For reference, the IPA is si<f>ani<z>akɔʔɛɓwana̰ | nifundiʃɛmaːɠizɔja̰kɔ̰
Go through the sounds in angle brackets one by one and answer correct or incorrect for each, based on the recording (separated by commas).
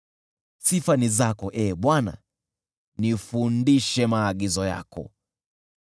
correct, correct